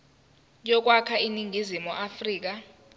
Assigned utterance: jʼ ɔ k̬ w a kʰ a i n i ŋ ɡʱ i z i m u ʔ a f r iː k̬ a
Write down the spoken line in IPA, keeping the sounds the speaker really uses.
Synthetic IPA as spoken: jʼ ɔ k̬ w a kʰ a i n i ŋ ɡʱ i z i m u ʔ a f r iː k̬ a

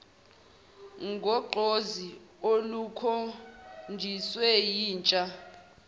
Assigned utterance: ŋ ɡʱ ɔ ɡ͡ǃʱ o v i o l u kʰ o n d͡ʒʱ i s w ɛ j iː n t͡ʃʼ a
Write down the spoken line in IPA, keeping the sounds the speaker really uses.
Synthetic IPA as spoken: ŋ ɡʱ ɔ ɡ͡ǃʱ o z i o l u kʰ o n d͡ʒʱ i s w ɛ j iː n t͡ʃʼ a

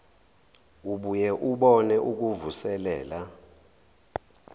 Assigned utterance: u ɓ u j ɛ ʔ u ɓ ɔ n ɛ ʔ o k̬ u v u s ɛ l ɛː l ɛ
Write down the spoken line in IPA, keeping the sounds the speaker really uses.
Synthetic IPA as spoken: u ɓ u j ɛ ʔ u ɓ ɔ n ɛ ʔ u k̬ u v u s ɛ l ɛː l a

